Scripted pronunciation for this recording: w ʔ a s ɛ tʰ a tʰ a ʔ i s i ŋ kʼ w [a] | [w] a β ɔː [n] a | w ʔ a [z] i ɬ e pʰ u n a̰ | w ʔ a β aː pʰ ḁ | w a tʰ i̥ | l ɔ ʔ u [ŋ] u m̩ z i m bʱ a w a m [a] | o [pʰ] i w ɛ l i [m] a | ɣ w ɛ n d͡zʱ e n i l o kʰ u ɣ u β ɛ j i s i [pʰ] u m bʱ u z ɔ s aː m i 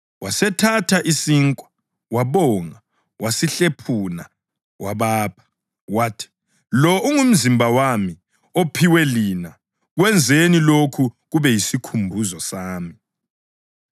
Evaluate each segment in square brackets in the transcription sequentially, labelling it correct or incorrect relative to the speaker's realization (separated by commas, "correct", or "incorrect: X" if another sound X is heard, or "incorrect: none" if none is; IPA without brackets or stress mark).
correct, correct, incorrect: ŋ, incorrect: s, correct, incorrect: i, correct, incorrect: n, incorrect: kʰ